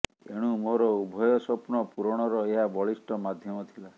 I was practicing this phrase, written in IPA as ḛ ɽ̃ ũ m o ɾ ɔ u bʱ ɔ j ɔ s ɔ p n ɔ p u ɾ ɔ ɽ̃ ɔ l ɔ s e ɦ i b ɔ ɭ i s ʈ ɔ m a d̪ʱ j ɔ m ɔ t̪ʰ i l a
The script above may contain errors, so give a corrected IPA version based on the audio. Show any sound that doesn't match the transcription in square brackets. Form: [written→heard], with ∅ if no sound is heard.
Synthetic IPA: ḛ ɽ̃ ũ m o ɾ ɔ u bʱ ɔ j ɔ s ɔ p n ɔ p u ɾ ɔ ɽ̃ ɔ [l→ɾ] ɔ [s→∅] e ɦ [i→a] b ɔ ɭ i s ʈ ɔ m a d̪ʱ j ɔ m ɔ t̪ʰ i l a